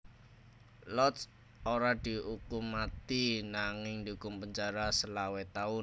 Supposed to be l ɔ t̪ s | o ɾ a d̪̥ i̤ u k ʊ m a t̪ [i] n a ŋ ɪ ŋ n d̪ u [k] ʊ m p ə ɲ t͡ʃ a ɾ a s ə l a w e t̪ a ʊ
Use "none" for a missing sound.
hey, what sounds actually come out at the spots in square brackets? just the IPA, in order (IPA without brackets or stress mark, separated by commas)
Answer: i, k